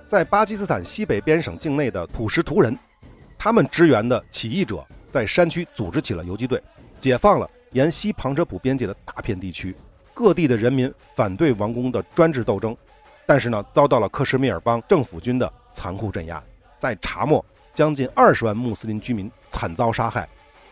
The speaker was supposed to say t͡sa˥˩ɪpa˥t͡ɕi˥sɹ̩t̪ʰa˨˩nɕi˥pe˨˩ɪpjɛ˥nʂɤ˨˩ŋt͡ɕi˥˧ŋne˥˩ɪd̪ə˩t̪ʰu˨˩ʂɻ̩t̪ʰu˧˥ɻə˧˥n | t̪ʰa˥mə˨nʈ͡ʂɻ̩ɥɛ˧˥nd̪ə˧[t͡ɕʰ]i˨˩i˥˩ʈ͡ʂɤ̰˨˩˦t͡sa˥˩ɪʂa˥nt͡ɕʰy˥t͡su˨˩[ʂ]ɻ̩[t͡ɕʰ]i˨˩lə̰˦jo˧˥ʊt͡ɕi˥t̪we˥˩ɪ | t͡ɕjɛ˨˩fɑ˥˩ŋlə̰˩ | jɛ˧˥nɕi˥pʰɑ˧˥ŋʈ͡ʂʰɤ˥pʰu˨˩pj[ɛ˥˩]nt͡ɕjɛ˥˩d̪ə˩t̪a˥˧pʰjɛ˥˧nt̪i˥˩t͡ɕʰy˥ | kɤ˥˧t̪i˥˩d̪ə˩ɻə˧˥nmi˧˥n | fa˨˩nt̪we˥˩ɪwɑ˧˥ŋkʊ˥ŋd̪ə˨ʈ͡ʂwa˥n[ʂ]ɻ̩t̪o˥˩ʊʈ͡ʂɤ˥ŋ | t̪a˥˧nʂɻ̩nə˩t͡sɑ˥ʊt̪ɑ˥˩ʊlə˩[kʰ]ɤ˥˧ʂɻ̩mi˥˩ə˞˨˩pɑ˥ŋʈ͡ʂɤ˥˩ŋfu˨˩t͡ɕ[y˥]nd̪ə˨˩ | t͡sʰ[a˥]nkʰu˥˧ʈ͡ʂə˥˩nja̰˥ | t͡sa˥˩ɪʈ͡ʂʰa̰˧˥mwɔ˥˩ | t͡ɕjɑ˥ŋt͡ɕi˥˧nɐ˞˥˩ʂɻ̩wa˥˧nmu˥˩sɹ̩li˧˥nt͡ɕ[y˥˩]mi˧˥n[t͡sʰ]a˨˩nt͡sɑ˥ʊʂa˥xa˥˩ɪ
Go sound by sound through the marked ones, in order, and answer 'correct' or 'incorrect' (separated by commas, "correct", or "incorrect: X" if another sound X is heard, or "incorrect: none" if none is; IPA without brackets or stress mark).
correct, incorrect: ʈ͡ʂ, correct, incorrect: ɛ˥, incorrect: ʈ͡ʂ, correct, correct, incorrect: a˧˥, incorrect: y˥, correct